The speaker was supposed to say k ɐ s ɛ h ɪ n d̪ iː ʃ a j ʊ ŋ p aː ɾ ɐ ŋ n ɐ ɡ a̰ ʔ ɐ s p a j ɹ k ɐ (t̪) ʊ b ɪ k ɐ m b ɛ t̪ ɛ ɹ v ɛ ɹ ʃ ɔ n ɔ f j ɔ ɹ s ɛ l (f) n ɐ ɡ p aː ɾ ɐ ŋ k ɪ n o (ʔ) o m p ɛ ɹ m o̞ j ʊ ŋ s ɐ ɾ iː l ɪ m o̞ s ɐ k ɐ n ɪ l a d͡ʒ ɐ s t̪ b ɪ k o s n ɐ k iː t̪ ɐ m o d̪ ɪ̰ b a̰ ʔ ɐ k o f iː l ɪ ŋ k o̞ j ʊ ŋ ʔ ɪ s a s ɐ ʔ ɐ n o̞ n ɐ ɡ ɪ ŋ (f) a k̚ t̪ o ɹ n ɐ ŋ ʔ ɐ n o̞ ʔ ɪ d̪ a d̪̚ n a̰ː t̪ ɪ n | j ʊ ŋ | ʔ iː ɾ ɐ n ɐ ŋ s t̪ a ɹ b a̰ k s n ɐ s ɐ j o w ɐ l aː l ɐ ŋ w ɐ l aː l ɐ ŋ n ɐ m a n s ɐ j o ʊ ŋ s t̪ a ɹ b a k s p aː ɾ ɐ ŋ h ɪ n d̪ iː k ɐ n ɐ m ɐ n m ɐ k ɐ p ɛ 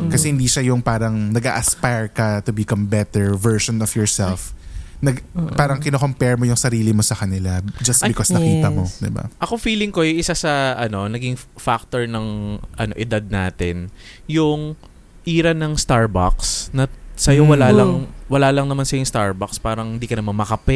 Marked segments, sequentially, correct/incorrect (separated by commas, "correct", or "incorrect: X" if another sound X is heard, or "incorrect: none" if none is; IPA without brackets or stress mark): correct, correct, incorrect: k, correct